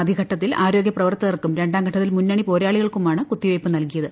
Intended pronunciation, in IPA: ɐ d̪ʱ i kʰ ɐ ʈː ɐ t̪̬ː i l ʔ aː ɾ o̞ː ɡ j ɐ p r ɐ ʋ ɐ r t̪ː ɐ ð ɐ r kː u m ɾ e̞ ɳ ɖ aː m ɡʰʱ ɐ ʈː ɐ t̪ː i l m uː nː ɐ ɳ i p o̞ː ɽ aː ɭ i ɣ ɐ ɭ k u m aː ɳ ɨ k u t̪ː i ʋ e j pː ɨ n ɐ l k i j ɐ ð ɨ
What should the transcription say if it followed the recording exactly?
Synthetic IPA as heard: ɐ d̪ʱ i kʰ ɐ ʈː ɐ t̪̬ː i l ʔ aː ɾ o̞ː ɡ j ɐ p r ɐ ʋ ɐ r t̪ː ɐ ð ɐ r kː u m ɾ e̞ ɳ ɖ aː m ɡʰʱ ɐ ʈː ɐ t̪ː i l m u nː ɐ ɳ i p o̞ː ɾ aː ɭ i ɣ ɐ ɭ k u m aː ɳ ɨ k u t̪ː i ʋ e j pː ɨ n ɐ l k i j ɐ ð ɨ